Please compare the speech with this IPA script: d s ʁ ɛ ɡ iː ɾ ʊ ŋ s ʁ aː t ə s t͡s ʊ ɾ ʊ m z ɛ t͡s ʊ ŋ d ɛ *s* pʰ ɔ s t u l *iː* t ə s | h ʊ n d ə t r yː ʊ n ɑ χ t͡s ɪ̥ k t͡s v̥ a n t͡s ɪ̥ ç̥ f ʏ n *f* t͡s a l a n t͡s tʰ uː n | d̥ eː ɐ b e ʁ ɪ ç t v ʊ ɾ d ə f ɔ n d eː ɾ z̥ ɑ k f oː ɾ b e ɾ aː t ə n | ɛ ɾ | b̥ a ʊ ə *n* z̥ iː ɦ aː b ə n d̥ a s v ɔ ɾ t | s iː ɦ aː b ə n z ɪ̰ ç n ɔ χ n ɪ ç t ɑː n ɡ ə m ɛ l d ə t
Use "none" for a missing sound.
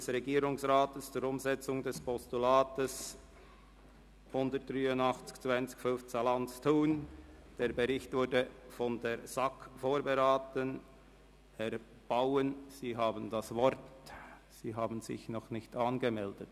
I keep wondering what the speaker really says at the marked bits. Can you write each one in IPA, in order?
s, aː, f, n

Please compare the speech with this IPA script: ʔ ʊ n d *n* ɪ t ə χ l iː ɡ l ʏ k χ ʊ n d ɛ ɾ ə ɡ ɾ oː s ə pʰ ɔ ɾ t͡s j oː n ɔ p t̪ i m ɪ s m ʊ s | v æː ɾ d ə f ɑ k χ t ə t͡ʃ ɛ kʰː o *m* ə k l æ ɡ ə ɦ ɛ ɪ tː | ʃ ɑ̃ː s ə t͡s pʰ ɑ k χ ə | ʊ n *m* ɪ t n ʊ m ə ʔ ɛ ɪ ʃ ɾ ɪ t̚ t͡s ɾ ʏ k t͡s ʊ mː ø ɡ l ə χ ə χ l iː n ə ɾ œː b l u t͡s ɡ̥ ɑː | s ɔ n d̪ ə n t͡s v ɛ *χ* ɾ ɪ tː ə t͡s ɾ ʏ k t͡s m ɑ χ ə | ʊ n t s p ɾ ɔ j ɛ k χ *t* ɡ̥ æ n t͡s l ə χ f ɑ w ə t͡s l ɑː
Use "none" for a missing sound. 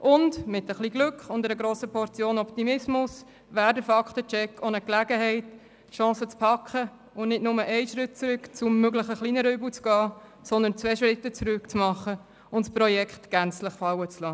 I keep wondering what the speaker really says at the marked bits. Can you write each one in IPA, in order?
m, n, n, ʃ, t

